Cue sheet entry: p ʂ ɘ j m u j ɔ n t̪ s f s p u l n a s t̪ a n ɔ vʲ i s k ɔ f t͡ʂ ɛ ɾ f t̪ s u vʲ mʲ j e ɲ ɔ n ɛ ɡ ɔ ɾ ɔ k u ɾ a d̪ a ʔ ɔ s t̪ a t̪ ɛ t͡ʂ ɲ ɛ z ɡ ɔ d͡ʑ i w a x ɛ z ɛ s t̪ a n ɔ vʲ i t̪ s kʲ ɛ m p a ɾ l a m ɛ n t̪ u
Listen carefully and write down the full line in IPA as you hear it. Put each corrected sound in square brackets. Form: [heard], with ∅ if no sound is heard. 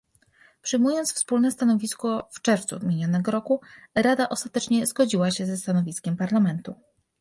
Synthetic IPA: p ʂ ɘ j m u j ɔ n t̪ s f s p u l n [ɛ] s t̪ a n ɔ vʲ i s k ɔ f t͡ʂ ɛ ɾ f t̪ s u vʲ mʲ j e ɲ ɔ n ɛ ɡ ɔ ɾ ɔ k u ɾ a d̪ a ʔ ɔ s t̪ a t̪ ɛ t͡ʂ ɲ ɛ z ɡ ɔ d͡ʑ i w a [ɕ] ɛ z ɛ s t̪ a n ɔ vʲ i [∅] s kʲ ɛ m p a ɾ l a m ɛ n t̪ u